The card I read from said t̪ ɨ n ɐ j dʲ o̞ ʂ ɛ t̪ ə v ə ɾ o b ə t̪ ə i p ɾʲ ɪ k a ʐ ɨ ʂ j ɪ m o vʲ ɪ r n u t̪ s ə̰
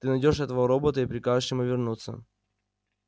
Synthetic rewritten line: t̪ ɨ n ɐ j dʲ o̞ ʂ ɛ t̪ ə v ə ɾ o b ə t̪ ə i p ɾʲ ɪ k a ʐ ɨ ʂ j ɪ m u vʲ ɪ r n u t̪ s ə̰